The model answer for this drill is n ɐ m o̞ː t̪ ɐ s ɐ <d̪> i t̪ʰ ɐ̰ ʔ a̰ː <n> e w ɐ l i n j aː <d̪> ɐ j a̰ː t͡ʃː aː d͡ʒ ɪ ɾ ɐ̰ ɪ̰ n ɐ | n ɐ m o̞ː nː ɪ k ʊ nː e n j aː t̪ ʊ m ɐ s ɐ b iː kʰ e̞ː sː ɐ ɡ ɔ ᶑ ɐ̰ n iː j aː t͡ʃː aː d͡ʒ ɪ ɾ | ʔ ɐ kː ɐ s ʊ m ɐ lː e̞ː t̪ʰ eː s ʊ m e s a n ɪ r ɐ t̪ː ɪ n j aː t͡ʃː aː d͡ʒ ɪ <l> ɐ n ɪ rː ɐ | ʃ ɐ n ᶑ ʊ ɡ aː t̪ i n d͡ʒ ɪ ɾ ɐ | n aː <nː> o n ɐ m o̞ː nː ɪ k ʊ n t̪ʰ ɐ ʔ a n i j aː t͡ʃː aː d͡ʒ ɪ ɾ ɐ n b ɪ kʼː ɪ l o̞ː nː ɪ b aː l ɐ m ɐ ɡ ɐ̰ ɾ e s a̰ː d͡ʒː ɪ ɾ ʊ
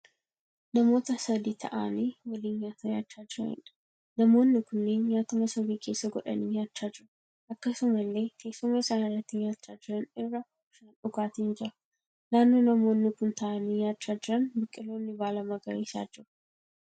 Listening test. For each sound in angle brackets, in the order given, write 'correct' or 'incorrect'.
correct, correct, incorrect: t̪, incorrect: ɾ, correct

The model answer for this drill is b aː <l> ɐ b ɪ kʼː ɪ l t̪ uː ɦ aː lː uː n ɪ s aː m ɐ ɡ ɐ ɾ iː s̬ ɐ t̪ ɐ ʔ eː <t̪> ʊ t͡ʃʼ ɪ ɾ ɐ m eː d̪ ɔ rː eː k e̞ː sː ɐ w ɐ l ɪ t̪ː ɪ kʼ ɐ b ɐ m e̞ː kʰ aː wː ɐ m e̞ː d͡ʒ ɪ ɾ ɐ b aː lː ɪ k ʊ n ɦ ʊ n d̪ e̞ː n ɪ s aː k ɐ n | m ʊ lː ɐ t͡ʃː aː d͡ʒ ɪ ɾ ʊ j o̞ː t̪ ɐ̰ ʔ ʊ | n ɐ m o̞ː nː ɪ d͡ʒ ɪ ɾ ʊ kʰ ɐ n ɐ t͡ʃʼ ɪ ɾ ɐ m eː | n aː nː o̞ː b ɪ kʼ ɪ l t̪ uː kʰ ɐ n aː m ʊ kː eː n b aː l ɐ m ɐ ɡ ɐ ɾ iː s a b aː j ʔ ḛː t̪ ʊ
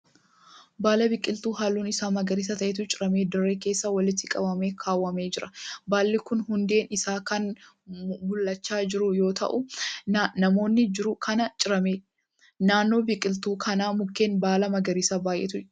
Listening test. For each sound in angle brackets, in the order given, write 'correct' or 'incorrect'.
correct, correct

